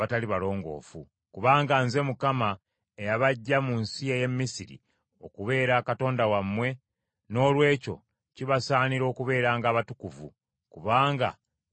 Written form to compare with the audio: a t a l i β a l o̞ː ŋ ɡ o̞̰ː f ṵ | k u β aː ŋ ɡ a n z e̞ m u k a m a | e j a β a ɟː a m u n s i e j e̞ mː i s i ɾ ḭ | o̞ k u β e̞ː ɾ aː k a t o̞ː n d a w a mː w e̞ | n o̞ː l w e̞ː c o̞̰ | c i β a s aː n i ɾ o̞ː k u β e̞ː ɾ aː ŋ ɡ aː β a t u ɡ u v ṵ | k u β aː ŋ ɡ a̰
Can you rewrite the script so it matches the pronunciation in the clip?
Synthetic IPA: a t a l i β a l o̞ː ŋ ɡ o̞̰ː f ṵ | k u β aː ŋ ɡ a n z e̞ m u k a m a | e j a β a ɟː a m u n s i e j e̞ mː i s i ɾ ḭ | o̞ k u β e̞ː ɾ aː k a t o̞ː n d a w a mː w e̞ | n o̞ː l w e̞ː c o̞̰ | c i β a s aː n i ɾ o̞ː k u β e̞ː ɾ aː ŋ ɡ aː β a t u k u v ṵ | k u β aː ŋ ɡ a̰

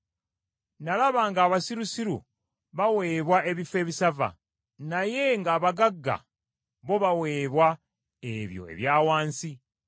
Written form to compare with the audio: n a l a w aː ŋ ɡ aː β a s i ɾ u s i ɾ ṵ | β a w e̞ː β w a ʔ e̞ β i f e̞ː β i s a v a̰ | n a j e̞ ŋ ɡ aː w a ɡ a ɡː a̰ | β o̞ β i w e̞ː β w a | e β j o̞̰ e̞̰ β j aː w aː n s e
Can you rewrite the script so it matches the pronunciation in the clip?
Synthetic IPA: n a l a β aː ŋ ɡ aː β a s i ɾ u s i ɾ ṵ | β a w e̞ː β w a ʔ e̞ β i f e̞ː β i s a v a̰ | n a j e̞ ŋ ɡ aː β a ɡ a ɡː a̰ | β o̞ β a w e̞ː β w a | e β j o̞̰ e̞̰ β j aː w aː n s i

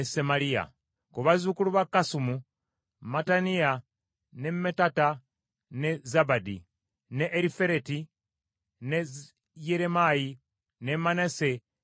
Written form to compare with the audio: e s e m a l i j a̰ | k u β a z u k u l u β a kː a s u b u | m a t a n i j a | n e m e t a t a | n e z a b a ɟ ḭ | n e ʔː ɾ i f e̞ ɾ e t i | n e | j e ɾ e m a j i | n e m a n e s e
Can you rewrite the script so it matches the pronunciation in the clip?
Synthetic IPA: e s e m a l i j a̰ | k u β a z u k u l u β a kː a s u m u | m a t a n i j a | n e m e t a t a | n e z a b a d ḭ | n e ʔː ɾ i f e̞ ɾ e t i | n e | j e ɾ e m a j i | n e m a n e s e

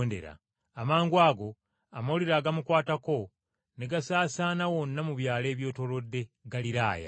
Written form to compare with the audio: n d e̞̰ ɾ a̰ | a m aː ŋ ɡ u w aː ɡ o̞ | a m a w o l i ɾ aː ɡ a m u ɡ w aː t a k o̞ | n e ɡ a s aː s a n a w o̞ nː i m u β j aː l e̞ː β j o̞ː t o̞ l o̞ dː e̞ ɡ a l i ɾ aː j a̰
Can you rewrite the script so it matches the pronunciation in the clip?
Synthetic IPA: n d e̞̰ ɾ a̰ | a m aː ŋ ɡ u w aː ɡ o̞ | a m a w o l i ɾ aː ɡ a m u k w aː t a k o̞ | n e ɡ a s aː s a n a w o̞ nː a m u β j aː l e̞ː β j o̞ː t o̞ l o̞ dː e̞ ɡ a l i ɾ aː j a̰

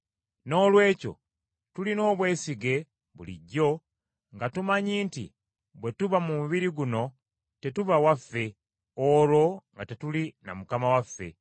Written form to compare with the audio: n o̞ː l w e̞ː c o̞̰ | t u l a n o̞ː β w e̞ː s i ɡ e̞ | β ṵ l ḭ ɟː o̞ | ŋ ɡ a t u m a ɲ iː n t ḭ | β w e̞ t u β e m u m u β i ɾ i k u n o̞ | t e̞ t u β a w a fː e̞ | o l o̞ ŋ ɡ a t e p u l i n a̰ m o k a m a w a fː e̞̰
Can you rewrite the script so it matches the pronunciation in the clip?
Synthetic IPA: n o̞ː l w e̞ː c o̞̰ | t u l i n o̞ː β w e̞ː s i ɡ e̞ | β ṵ l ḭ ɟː o̞ | ŋ ɡ a t u m a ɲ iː n t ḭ | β w e̞ t u β a m u m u β i ɾ i ɡ u n o̞ | t e̞ t u β a w a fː e̞ | o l o̞ ŋ ɡ a t e t u l i n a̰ m u k a m a w a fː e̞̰

